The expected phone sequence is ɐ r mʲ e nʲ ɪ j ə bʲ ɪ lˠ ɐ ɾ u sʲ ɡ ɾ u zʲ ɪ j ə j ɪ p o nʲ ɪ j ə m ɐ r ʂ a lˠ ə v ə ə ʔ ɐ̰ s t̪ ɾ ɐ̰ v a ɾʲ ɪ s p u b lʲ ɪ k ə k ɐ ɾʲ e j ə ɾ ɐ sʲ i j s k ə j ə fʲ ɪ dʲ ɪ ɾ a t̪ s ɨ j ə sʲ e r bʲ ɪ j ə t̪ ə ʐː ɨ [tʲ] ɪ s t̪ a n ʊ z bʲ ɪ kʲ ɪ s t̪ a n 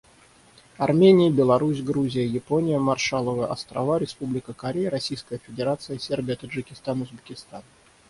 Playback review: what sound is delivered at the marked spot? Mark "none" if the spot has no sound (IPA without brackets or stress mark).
kʲ